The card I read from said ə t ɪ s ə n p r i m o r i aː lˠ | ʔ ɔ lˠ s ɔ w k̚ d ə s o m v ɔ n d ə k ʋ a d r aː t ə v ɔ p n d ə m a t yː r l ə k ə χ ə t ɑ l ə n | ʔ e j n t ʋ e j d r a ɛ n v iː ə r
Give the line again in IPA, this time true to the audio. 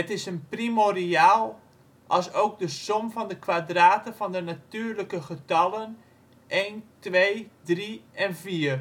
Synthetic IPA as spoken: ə t ɪ s ə n p r i m o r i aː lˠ | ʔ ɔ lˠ s o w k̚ d ə s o m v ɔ n d ə k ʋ a d r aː t ə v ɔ n d ə n a t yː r l ə k ə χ ə t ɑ l ə n | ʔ e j n t ʋ e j d r i ɛ n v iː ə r